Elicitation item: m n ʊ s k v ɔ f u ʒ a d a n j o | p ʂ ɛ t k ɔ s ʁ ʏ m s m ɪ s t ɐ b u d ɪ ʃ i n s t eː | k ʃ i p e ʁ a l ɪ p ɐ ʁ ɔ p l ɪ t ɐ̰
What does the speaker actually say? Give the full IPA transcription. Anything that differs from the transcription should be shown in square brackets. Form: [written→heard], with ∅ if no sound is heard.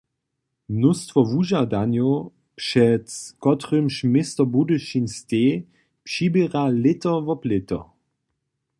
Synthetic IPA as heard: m n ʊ s [k→t] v ɔ [f→v] u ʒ a d a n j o | p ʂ ɛ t k ɔ [s→t] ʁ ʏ m [s→ʃ] m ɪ s t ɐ b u d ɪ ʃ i n s t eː | [k→p] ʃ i [p→b] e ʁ a l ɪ [p→t] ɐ [ʁ→v] ɔ p l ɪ t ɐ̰